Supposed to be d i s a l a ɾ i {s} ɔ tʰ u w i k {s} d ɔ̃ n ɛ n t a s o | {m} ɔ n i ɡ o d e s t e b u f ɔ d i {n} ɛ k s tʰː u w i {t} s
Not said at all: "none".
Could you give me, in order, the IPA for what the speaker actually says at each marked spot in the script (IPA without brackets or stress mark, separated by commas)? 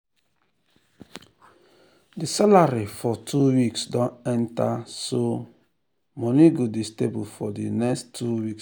f, s, m, n, k